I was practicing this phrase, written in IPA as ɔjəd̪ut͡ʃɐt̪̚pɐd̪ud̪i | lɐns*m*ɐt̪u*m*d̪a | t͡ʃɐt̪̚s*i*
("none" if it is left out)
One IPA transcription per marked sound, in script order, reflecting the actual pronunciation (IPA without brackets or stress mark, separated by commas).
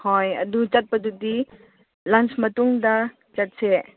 m, ŋ, ɛ